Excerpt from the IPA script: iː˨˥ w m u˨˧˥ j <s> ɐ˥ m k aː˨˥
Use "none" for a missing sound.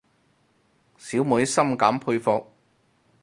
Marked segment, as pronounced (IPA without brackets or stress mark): s